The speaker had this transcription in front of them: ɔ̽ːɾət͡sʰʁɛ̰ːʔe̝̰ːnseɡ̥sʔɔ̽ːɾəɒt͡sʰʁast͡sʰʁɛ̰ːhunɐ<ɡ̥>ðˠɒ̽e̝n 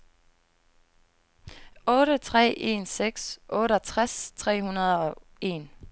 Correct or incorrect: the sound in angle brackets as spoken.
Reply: incorrect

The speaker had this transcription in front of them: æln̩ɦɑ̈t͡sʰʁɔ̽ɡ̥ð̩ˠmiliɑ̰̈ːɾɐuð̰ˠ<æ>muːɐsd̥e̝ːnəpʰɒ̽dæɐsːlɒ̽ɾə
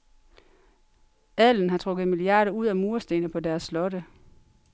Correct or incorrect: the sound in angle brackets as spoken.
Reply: correct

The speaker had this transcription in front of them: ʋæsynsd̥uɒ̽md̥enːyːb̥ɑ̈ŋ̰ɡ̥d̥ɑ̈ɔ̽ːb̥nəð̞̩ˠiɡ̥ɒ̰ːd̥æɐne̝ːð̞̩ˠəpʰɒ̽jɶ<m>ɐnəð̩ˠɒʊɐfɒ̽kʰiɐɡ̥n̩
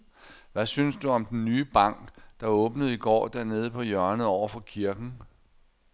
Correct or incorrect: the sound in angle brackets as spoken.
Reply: incorrect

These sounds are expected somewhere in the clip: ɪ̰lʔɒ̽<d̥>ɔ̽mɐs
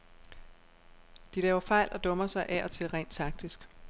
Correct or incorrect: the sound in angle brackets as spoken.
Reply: correct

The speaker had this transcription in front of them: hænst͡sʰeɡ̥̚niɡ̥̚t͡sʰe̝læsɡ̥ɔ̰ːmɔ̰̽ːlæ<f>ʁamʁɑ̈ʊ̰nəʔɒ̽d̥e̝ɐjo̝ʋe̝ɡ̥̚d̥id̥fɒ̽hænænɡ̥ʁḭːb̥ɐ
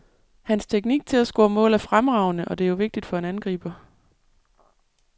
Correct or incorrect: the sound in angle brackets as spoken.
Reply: correct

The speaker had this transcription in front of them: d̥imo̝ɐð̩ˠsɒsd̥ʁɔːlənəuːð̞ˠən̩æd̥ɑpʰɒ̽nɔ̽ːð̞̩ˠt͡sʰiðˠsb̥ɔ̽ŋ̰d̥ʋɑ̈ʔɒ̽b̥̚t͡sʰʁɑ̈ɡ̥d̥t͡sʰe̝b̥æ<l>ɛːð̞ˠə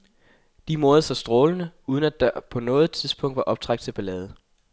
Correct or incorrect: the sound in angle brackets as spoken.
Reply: correct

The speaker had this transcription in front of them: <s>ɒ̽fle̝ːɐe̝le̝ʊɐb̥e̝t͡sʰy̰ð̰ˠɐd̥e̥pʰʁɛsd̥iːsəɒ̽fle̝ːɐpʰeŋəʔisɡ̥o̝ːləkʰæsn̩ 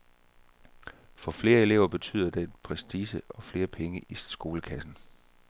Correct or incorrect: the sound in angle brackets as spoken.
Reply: incorrect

